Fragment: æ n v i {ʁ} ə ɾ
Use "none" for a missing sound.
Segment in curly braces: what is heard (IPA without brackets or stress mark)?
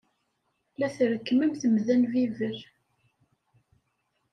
v